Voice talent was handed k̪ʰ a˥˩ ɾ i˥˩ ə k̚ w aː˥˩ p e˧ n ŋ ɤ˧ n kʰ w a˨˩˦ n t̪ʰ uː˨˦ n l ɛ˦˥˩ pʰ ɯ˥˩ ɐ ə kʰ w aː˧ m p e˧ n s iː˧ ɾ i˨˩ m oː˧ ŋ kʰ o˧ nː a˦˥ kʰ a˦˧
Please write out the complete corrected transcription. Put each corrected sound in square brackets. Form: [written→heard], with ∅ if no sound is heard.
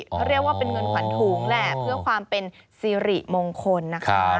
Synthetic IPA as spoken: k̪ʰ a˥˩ ɾ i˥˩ ə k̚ w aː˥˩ p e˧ n ŋ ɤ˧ n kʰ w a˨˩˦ n t̪ʰ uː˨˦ [n→ŋ] l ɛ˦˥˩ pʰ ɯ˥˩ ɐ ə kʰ w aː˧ m p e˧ n s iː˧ ɾ i˨˩ m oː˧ ŋ kʰ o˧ nː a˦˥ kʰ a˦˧